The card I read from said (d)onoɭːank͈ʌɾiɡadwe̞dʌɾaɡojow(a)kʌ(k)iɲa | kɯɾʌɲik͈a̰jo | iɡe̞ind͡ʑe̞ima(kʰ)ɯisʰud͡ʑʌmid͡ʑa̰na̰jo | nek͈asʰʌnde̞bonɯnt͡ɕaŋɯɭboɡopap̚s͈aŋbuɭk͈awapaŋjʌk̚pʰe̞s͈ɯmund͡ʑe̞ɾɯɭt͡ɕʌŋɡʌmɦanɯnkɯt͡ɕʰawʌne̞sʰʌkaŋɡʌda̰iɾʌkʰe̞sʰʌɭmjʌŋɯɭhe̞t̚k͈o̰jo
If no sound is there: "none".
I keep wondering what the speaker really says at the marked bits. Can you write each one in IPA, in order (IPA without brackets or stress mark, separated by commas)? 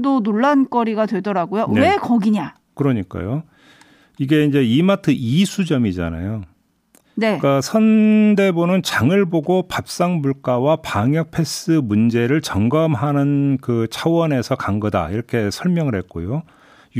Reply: d, e, ɡ, tʰ